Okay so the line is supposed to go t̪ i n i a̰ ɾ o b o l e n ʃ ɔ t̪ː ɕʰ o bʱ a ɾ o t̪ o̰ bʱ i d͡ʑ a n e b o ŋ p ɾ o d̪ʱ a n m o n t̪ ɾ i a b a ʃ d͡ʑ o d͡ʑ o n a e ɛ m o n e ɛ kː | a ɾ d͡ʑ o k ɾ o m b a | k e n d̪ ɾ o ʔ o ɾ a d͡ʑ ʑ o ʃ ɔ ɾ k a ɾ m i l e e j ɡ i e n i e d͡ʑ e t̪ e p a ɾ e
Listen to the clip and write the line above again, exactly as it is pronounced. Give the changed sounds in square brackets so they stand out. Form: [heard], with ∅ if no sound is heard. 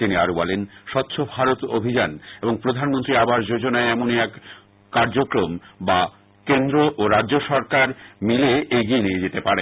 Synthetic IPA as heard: t̪ i n i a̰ ɾ o b [ɔ] l e n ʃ ɔ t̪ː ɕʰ o bʱ a ɾ o t̪ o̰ bʱ i d͡ʑ a n e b o ŋ p ɾ o d̪ʱ a n m o n t̪ ɾ i a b a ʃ d͡ʑ o d͡ʑ o n a e ɛ m o n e ɛ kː | a ɾ d͡ʑ o k ɾ o m b a | k e n d̪ ɾ o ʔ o ɾ a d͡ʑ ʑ o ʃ ɔ ɾ k a ɾ m i l e e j ɡ i e n i e d͡ʑ e t̪ e p a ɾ e

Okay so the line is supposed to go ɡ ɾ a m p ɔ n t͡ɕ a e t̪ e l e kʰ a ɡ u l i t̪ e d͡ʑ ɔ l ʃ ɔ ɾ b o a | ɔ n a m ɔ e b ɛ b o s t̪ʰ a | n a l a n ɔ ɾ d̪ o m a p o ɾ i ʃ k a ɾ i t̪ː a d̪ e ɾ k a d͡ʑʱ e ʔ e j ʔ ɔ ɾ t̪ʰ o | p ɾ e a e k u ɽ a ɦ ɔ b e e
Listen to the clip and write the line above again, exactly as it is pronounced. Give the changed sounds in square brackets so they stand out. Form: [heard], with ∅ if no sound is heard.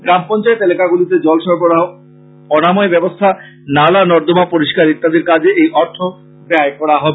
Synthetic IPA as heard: ɡ ɾ a m p ɔ n t͡ɕ a e t̪ e l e [k] a ɡ u l i t̪ e d͡ʑ ɔ l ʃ ɔ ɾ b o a | ɔ n a m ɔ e b ɛ b o s t̪ʰ a | n a l a n ɔ ɾ d̪ o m a p o ɾ i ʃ k a ɾ i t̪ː a d̪ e ɾ k a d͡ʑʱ e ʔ e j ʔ ɔ ɾ t̪ʰ o | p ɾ e a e k [ɔ] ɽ a ɦ ɔ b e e

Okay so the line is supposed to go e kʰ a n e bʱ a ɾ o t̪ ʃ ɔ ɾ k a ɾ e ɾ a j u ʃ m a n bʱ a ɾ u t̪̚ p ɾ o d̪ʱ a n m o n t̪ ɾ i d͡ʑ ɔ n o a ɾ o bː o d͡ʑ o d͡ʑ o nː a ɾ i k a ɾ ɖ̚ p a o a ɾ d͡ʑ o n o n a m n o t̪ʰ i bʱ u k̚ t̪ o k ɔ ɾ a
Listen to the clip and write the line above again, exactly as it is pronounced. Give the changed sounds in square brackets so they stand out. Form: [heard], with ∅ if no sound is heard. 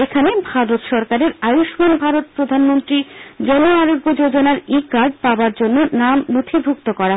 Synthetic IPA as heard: e kʰ a n e bʱ a ɾ o t̪ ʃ ɔ ɾ k a ɾ e ɾ a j u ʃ m a n bʱ a ɾ [o] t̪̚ p ɾ o d̪ʱ a n m o n t̪ ɾ i d͡ʑ ɔ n o a ɾ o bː o d͡ʑ o d͡ʑ o [n] a ɾ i k a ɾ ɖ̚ p a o a ɾ d͡ʑ o [nː] o n a m n o t̪ʰ i bʱ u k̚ t̪ o k ɔ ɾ a

